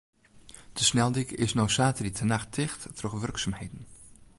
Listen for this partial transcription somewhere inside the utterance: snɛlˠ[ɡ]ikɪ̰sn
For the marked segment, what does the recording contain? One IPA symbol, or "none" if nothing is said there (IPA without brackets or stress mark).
d